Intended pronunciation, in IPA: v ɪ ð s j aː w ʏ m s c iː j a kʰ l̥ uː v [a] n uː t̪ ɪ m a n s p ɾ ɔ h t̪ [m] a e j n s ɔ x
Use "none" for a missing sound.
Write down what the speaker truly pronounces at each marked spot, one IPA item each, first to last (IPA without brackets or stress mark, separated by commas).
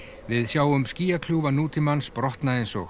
a, n